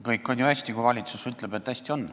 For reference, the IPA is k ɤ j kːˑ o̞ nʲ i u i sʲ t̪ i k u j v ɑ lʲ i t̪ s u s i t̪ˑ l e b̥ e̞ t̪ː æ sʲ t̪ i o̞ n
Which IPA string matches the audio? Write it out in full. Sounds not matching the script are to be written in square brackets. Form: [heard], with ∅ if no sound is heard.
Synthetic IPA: k ɤ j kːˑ o̞ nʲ [j] u [æ] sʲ t̪ i k u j v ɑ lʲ i t̪ s u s [y] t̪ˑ l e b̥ e̞ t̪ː æ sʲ t̪ i o̞ n